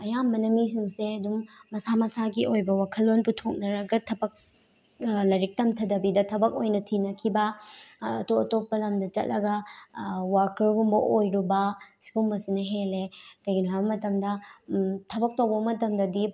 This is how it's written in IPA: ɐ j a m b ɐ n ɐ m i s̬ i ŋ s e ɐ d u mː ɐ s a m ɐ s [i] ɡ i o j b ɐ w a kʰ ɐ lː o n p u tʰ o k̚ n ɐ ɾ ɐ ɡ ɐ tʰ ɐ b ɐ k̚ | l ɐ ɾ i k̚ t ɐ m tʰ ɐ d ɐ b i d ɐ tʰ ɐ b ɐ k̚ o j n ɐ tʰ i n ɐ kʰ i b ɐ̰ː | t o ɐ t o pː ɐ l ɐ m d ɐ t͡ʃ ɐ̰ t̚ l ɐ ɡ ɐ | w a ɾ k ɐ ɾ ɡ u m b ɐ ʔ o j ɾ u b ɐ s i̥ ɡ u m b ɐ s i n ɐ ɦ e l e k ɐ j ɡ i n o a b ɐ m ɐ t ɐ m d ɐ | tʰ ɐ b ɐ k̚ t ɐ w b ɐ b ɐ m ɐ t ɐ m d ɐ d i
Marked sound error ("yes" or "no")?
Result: yes